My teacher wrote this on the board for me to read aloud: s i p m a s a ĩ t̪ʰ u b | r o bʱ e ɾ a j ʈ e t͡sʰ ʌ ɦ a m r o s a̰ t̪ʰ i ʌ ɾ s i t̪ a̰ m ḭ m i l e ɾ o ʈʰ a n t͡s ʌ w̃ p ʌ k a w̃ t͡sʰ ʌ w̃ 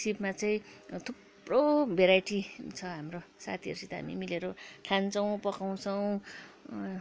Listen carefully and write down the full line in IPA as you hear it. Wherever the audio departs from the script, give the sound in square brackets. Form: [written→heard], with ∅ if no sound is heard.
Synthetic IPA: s i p m a [s→t͡s] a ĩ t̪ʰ u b | r o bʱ e ɾ a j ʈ [e→i] t͡sʰ ʌ ɦ a m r o s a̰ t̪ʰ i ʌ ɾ s i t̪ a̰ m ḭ m i l e ɾ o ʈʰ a n t͡s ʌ w̃ p ʌ k a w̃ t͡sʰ ʌ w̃